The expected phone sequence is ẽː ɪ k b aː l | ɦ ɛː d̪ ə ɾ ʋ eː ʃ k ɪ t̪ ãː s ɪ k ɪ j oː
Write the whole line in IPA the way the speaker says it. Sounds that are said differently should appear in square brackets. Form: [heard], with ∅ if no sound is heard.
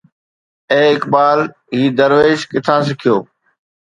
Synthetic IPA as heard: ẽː ɪ k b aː l | ɦ [iː] d̪ ə ɾ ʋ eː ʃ k ɪ [t̪ʰ] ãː s ɪ [kʰ] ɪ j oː